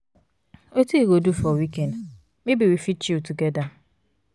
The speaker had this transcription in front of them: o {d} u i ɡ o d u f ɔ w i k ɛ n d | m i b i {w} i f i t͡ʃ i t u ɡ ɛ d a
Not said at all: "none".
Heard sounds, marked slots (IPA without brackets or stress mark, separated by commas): t, w